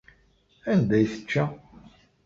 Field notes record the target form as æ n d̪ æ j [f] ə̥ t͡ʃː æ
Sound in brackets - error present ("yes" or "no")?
yes